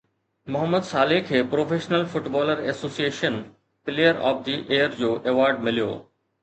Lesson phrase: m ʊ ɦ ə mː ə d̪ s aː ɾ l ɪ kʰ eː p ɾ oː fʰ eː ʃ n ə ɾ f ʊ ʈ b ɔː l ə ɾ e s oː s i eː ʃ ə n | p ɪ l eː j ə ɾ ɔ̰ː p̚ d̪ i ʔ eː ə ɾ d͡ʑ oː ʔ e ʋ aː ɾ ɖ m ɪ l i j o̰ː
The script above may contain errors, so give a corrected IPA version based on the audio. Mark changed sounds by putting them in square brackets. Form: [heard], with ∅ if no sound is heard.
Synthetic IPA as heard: m ʊ ɦ ə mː ə d̪ s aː [∅] l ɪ kʰ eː p ɾ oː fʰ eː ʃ n ə [l] f ʊ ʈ b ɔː l ə ɾ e s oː s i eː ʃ ə n | p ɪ l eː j ə ɾ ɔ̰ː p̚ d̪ i ʔ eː ə ɾ d͡ʑ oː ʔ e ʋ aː ɾ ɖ m ɪ l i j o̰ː